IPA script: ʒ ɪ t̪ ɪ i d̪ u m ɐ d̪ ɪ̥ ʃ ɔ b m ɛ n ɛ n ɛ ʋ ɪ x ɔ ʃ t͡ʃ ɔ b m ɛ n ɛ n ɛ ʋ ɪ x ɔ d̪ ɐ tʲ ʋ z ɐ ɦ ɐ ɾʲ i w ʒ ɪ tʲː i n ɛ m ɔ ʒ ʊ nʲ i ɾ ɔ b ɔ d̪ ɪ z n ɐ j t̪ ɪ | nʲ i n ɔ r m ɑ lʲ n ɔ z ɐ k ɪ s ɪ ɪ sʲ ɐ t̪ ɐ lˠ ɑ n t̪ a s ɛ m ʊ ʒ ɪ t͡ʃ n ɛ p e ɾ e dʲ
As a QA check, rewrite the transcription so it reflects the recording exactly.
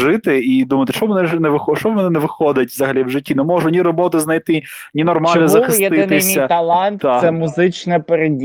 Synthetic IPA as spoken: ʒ ɪ t̪ ɪ i d̪ u m ɐ t̪ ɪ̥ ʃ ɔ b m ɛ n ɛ n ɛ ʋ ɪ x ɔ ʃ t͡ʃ ɔ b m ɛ n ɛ n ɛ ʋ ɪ x ɔ d̪ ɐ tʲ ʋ z ɐ ɦ ɐ lʲ i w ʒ ɪ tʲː i n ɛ m ɔ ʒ ʊ nʲ i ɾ ɔ b ɔ t̪ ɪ z n ɐ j t̪ ɪ | nʲ i n ɔ r m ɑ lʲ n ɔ z ɐ x ɪ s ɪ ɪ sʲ ɐ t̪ ɐ lˠ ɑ n t̪ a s ɛ m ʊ z ɪ t͡ʃ n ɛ p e ɾ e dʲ